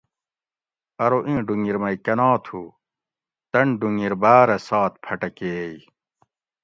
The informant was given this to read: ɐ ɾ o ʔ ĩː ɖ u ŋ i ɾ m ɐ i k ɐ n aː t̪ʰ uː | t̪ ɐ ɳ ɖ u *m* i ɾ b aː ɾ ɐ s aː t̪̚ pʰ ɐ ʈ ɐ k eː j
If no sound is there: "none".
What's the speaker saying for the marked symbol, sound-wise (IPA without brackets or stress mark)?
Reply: ŋ